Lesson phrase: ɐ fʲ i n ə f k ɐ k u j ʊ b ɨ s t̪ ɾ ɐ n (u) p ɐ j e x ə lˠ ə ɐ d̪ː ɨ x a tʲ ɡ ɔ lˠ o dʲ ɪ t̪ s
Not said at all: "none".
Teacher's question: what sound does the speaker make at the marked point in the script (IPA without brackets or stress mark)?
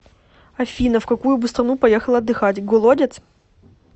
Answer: u